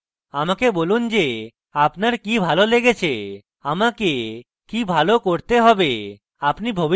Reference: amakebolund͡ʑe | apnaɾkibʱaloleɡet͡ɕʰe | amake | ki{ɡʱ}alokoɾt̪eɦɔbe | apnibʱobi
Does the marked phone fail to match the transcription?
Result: yes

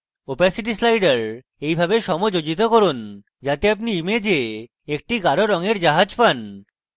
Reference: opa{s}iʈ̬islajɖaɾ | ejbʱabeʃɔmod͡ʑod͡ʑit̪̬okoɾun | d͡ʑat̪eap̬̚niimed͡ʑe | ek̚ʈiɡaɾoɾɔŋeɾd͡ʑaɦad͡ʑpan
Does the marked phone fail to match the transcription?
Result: no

